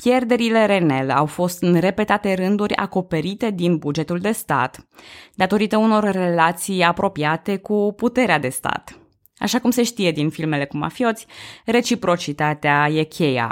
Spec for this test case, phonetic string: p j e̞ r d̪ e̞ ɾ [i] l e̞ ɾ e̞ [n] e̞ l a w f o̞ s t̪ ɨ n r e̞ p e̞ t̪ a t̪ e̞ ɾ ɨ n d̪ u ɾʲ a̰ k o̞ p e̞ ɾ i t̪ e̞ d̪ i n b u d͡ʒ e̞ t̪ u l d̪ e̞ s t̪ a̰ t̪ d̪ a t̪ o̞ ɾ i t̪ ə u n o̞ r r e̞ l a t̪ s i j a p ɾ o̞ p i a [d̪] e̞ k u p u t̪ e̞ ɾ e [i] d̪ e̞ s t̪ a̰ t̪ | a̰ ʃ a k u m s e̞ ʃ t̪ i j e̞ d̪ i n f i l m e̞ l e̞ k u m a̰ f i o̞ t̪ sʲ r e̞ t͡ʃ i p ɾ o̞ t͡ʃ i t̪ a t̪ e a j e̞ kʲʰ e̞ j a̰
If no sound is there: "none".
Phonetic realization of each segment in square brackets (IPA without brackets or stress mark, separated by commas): i, n, t̪, a